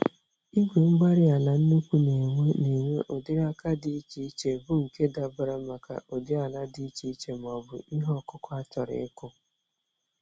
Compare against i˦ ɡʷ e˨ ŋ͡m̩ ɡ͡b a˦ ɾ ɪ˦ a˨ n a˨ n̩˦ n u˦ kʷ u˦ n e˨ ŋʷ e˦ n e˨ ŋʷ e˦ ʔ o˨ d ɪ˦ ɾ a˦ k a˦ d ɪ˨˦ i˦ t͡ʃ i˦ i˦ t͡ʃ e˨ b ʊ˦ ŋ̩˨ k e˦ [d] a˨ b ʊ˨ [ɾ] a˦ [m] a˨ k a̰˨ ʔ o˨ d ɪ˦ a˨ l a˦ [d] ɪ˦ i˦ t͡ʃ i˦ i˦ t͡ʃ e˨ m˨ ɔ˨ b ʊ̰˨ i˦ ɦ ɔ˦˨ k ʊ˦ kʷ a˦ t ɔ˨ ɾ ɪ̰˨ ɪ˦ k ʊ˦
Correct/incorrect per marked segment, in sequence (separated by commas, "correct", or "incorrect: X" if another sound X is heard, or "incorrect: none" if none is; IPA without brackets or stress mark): correct, correct, correct, correct